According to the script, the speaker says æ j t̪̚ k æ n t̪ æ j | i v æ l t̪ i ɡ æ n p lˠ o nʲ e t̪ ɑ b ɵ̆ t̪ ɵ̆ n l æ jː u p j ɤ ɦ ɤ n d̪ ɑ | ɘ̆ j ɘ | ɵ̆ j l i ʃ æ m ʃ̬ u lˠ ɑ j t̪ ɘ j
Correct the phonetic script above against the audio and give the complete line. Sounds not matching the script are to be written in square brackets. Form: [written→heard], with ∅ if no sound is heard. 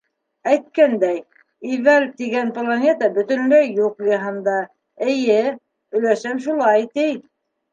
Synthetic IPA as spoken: æ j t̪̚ k æ n [t̪→d̪] æ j | i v æ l t̪ i ɡ æ n p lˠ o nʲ e t̪ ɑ b ɵ̆ t̪ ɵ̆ n l æ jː u [p→q] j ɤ ɦ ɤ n d̪ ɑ | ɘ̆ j ɘ | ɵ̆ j l [i→æ] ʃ æ m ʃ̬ u lˠ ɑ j t̪ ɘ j